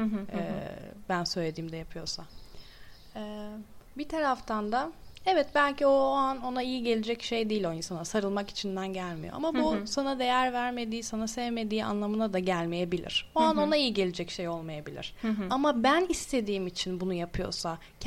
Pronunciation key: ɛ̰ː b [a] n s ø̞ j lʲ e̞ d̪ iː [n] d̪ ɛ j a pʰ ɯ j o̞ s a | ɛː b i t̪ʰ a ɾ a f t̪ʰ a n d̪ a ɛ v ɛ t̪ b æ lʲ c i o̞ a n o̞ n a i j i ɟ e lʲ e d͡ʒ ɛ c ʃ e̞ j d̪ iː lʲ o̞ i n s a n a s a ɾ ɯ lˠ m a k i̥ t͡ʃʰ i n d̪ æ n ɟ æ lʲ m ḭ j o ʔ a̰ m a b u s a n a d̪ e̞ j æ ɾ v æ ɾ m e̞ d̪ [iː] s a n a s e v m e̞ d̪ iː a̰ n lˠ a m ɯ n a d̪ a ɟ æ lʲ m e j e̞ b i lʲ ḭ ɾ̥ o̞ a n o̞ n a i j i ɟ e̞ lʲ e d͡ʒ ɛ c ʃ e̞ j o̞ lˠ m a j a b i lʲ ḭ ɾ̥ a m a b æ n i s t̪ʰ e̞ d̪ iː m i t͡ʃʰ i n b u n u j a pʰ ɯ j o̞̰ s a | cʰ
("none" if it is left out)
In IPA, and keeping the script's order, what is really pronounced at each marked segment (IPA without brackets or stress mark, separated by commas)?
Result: æ, m, iː